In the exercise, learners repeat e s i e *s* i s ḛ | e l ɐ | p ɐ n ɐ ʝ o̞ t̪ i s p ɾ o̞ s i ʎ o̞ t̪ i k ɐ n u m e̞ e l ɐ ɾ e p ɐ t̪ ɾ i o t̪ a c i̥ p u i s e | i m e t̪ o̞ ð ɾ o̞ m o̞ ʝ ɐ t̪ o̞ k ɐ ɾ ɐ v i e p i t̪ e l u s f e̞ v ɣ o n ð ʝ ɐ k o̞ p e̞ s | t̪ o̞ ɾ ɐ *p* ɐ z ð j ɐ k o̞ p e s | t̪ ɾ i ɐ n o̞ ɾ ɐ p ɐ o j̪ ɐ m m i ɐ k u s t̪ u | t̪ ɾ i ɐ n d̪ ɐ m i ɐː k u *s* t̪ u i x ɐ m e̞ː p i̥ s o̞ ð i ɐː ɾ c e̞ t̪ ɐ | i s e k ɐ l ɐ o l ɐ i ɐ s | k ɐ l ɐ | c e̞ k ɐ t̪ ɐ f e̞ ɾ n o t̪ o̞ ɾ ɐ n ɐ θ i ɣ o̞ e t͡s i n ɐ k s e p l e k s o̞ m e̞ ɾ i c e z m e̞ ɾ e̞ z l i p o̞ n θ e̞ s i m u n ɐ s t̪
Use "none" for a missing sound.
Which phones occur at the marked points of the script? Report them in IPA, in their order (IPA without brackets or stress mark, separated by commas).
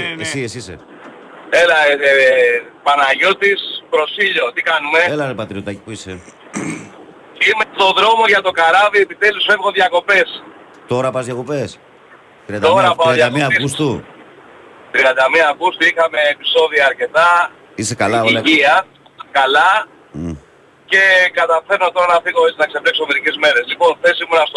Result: s, p, s